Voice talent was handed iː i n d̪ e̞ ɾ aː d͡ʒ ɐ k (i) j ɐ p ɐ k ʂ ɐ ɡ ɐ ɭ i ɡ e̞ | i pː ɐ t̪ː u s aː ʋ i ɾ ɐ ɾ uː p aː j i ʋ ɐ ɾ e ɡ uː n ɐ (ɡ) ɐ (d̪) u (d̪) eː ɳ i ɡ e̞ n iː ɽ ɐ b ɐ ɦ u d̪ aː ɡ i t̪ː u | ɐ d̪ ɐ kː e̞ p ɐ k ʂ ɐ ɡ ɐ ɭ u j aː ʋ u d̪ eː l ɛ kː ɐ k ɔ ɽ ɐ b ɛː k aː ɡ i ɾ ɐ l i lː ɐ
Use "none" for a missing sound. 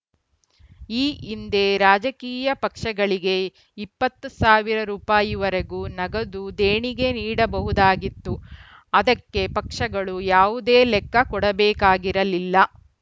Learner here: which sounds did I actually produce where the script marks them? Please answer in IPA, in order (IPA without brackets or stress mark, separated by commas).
iː, ɡ, d̪, d̪